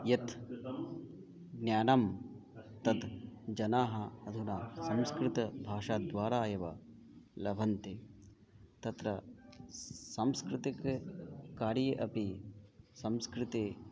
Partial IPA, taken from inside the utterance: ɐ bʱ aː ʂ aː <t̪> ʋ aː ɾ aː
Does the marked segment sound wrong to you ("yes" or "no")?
yes